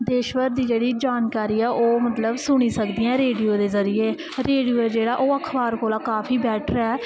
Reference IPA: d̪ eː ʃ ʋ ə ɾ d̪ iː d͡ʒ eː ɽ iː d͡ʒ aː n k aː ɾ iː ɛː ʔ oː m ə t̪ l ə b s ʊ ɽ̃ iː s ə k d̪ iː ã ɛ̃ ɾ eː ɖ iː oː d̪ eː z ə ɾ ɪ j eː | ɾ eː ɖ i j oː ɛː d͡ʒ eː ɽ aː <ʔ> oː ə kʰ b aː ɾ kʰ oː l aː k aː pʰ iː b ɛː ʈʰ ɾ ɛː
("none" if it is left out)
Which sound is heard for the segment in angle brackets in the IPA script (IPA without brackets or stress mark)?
ʔ